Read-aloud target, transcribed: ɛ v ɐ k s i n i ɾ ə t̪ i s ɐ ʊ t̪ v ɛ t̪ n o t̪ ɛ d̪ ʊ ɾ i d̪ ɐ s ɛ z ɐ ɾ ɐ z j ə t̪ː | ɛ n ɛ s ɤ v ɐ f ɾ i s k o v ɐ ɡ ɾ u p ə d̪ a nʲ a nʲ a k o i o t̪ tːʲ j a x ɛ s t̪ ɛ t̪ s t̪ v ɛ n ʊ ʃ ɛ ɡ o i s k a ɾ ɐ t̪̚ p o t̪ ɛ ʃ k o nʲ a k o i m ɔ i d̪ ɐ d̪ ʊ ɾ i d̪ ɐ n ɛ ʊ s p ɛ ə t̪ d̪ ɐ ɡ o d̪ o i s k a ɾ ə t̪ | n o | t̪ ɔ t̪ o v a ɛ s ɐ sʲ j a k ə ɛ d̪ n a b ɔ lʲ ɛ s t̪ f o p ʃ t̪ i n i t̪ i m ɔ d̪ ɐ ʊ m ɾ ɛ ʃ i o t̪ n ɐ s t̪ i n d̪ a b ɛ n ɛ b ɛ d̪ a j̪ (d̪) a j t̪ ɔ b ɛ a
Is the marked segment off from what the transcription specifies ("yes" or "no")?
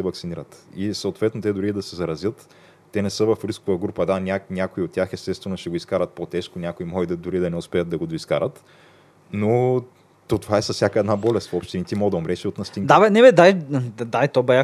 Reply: no